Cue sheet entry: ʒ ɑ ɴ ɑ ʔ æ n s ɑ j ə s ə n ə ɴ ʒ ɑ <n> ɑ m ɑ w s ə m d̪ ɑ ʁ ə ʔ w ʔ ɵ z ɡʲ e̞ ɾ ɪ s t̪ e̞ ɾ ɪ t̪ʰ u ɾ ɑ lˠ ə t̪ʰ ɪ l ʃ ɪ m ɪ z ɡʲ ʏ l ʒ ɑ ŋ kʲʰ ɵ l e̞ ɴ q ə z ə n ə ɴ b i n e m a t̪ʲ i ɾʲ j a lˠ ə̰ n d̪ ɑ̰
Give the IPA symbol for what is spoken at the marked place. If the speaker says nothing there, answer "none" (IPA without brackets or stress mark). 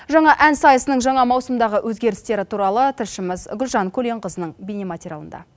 ɴ